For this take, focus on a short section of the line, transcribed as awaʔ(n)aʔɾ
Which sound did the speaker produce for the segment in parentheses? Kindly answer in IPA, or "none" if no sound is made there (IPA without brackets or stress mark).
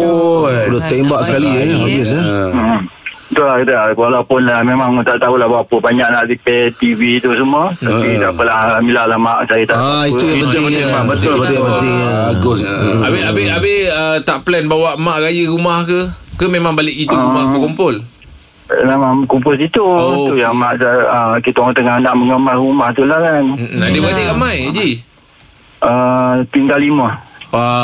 m